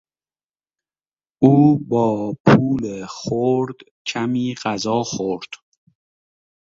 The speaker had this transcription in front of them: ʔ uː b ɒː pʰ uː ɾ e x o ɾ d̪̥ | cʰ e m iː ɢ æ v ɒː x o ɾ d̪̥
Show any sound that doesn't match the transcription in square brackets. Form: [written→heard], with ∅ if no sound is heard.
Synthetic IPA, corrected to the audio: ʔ uː b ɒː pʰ uː [ɾ→l] e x o ɾ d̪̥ | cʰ [e→æ] m iː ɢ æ [v→z] ɒː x o ɾ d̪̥